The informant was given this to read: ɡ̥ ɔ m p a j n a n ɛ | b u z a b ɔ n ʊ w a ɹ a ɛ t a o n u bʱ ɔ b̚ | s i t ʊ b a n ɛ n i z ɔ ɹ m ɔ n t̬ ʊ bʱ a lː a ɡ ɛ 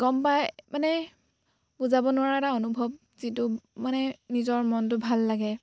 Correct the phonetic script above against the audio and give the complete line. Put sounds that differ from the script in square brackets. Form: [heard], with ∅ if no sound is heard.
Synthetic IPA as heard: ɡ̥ ɔ m p a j [m] a n ɛ | b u z a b ɔ n ʊ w a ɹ a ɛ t a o n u bʱ ɔ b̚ | [z] i t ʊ [m] a n ɛ n i z ɔ ɹ m ɔ n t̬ ʊ bʱ a lː a ɡ ɛ